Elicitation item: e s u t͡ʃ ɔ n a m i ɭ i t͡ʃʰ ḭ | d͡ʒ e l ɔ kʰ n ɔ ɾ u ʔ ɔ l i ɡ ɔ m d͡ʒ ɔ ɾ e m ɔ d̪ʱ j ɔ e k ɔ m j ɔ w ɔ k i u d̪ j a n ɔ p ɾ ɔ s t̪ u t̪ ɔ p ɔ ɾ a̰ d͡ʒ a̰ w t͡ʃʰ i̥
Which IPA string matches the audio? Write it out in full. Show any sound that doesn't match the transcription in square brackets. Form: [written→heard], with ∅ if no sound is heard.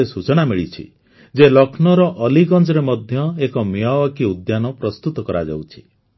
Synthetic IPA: e s u t͡ʃ ɔ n a m i ɭ i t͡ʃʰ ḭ | d͡ʒ e l ɔ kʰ n ɔ ɾ [u→ɔ] ʔ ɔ l i ɡ ɔ [m→n] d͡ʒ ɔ ɾ e m ɔ d̪ʱ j ɔ e k ɔ m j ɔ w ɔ k i u d̪ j a n ɔ p ɾ ɔ s t̪ u t̪ ɔ [p→k] ɔ ɾ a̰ d͡ʒ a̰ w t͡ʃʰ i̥